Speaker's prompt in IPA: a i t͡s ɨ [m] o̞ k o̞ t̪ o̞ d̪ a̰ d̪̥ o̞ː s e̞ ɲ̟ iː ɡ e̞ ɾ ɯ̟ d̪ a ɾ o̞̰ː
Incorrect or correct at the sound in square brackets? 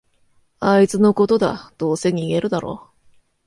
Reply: incorrect: n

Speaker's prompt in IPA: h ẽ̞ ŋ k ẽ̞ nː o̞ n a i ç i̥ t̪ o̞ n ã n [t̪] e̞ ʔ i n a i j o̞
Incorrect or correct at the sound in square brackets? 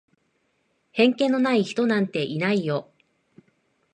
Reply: correct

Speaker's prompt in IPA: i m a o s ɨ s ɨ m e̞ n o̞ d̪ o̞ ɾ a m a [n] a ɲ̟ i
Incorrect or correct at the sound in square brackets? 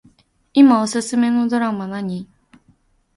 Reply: correct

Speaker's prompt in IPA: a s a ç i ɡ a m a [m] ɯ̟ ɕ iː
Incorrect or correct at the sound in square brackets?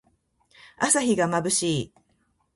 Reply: incorrect: b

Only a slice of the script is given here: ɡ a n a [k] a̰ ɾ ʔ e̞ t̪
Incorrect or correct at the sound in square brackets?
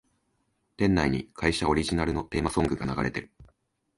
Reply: incorrect: ɡ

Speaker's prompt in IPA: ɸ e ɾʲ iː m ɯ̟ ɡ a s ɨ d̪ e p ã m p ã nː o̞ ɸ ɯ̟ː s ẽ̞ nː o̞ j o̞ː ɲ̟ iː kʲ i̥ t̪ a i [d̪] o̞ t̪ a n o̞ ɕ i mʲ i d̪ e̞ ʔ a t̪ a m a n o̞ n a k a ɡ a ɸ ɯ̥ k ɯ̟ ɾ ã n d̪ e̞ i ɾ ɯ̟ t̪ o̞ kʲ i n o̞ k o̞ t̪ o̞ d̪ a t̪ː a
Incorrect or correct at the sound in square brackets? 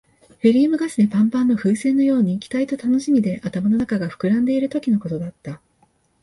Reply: incorrect: t̪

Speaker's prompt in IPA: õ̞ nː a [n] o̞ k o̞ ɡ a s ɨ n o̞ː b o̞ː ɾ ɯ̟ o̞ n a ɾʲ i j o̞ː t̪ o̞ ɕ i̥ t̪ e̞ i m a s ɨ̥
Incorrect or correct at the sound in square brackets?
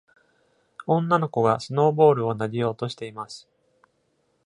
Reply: correct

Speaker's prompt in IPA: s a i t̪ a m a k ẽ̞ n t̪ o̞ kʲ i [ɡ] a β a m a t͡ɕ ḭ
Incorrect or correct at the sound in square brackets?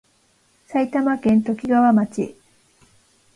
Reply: correct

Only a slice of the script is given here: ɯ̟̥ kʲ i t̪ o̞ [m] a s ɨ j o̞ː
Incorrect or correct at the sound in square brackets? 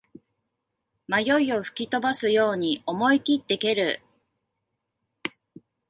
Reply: incorrect: b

